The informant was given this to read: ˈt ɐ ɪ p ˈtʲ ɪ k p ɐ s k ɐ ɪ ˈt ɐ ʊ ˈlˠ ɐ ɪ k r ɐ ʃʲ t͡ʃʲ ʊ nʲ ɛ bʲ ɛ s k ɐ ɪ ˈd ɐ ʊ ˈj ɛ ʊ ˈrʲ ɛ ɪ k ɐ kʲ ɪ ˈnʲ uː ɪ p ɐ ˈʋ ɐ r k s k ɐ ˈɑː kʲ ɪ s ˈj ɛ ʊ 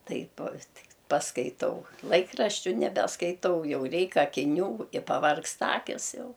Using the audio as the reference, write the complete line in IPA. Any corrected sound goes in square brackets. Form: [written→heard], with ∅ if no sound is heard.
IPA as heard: ˈt ɐ ɪ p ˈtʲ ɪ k p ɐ s k ɐ ɪ ˈt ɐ ʊ ˈlˠ ɐ ɪ k r ɐ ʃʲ t͡ʃʲ ʊ nʲ ɛ bʲ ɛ s k ɐ ɪ [ˈd→ˈt] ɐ ʊ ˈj ɛ ʊ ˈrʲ ɛ ɪ k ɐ kʲ ɪ ˈnʲ uː ɪ p ɐ ˈʋ ɐ r k s [k→t] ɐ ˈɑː kʲ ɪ s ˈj ɛ ʊ